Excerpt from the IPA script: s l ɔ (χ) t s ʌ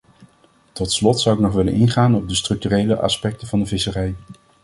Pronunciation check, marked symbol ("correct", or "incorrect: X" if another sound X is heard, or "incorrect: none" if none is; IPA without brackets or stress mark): incorrect: none